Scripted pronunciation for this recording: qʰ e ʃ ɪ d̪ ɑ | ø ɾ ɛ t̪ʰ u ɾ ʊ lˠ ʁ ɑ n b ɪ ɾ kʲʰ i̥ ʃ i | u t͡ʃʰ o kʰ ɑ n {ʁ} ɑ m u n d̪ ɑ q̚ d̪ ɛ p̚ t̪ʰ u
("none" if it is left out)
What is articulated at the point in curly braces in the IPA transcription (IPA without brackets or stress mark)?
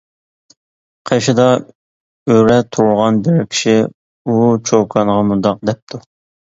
ʁ